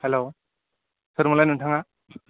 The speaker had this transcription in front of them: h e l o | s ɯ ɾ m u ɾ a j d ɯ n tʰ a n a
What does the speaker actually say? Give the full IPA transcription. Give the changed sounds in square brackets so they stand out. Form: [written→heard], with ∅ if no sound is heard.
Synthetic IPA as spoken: h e l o | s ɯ ɾ m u [ɾ→l] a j [d→n] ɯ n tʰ a [n→ŋ] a